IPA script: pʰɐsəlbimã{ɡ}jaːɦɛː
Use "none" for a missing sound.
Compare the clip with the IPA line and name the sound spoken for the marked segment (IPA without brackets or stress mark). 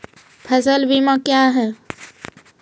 k